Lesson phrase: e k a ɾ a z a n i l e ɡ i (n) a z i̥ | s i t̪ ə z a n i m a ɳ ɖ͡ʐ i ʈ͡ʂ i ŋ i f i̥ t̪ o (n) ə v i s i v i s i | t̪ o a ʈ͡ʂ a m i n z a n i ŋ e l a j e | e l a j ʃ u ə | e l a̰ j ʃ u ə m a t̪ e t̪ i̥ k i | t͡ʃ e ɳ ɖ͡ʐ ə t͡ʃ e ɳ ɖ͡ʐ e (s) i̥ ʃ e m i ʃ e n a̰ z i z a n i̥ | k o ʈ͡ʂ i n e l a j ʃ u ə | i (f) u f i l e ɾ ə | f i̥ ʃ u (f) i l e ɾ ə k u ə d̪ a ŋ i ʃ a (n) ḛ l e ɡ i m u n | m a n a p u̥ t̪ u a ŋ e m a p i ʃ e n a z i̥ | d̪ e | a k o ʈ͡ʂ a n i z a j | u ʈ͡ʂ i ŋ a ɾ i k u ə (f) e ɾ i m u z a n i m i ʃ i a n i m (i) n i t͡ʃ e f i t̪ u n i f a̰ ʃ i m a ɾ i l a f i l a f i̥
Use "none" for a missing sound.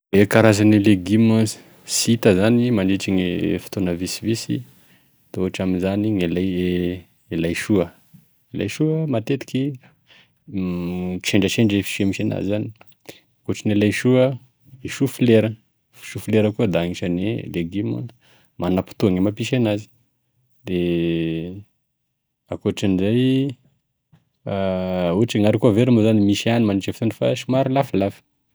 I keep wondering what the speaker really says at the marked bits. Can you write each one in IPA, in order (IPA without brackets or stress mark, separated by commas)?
m, n, f, ʃ, f, n, v, a